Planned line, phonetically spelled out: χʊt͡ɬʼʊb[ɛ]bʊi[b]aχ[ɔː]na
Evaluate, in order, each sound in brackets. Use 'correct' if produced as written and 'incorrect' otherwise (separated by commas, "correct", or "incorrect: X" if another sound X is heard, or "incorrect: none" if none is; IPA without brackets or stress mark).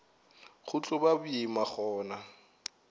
incorrect: a, incorrect: m, correct